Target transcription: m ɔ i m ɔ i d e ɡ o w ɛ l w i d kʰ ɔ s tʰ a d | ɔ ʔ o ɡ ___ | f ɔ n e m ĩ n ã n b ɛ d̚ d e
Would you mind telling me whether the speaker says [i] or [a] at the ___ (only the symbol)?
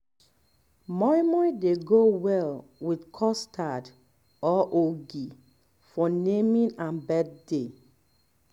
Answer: i